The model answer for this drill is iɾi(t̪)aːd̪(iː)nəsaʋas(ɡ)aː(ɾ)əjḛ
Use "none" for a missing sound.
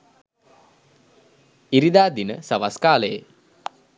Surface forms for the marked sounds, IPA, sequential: d̪, i, k, l

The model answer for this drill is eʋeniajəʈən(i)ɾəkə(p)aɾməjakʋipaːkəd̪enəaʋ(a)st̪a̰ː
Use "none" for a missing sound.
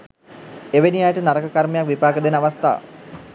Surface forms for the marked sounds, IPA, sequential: a, k, a

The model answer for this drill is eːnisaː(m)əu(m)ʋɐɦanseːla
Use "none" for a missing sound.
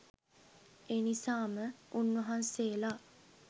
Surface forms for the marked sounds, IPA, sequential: m, n

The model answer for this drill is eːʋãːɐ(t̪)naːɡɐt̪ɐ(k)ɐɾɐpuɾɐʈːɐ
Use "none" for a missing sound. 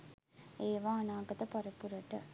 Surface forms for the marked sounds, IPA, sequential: none, p

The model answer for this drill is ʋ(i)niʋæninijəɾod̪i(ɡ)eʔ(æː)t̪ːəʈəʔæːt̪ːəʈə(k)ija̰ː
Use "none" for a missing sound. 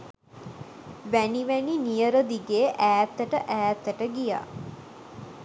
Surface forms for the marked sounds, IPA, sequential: æ, ɡ, æː, ɡ

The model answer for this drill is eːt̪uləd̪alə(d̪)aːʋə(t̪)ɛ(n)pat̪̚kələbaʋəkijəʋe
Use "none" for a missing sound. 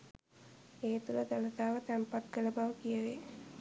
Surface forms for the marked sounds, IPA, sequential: t̪, t̪, m

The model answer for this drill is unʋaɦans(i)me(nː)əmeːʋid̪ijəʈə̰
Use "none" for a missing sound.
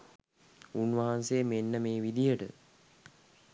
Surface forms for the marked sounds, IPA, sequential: e, nː

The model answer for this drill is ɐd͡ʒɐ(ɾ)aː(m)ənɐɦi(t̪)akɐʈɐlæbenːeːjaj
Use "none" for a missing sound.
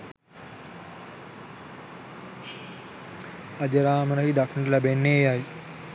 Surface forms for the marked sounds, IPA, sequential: ɾ, m, d̪

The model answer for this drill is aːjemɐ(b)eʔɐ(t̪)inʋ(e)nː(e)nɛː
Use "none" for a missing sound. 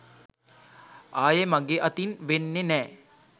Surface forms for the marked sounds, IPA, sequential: ɡ, t̪, e, e

